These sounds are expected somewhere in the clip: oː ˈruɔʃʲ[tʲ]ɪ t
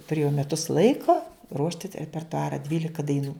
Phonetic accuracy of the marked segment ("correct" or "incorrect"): correct